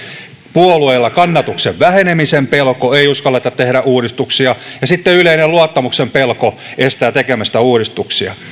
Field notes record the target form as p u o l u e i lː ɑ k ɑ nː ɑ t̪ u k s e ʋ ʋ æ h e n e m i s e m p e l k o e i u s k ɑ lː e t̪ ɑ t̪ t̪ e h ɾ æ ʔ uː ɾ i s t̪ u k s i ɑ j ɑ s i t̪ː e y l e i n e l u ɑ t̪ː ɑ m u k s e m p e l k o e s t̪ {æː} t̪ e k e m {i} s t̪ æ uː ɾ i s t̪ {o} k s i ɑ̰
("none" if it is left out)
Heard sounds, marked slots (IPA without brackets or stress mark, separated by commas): æː, æ, u